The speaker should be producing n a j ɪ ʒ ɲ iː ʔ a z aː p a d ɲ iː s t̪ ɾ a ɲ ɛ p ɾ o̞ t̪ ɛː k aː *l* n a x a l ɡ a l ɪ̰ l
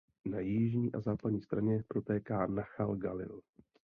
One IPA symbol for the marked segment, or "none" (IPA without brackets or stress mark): none